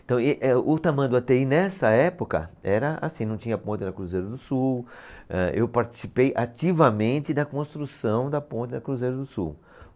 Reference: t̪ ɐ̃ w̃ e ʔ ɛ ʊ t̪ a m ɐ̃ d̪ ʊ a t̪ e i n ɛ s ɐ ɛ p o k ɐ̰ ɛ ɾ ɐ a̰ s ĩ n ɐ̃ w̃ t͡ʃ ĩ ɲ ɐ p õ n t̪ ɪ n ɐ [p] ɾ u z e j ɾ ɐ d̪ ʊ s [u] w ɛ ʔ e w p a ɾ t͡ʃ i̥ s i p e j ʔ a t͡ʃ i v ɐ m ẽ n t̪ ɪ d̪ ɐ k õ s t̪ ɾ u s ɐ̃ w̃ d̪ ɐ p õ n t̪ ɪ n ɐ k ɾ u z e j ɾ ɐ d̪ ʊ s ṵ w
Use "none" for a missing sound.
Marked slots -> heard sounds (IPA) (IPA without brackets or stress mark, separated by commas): k, u